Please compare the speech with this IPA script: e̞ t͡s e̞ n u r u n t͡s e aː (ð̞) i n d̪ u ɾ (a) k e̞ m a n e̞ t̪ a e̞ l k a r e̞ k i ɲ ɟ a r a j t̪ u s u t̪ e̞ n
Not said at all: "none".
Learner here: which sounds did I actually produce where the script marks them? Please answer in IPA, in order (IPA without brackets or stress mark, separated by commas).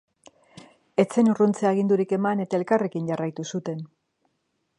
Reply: ɣ̞, i